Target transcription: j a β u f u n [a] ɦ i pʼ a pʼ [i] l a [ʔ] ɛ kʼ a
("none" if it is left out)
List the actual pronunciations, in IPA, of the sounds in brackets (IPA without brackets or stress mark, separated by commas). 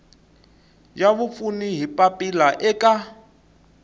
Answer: i, i, ʔ